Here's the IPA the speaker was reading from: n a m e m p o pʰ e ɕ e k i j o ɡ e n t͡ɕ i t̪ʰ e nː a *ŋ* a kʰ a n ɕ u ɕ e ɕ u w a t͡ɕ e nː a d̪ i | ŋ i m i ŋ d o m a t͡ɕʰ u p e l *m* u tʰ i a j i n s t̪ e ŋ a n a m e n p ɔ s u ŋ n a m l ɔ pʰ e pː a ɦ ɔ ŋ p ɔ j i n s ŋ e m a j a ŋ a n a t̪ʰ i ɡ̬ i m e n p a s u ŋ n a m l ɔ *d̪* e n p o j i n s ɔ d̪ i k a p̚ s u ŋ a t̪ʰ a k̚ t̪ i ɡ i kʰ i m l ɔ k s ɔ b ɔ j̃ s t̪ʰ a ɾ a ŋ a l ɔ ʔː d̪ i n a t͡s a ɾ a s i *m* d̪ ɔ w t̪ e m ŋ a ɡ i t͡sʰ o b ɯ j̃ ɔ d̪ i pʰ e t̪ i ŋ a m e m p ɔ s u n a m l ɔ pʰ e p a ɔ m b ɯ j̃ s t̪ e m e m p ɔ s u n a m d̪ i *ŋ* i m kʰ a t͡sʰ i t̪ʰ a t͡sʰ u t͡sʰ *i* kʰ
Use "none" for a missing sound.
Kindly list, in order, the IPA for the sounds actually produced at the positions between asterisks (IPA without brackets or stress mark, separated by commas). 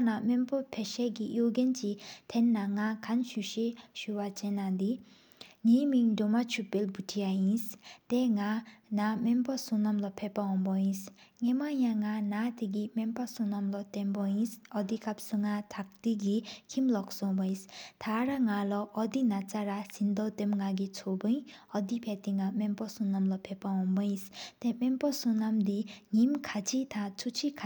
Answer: ŋ, b, t̪, n, ŋ, i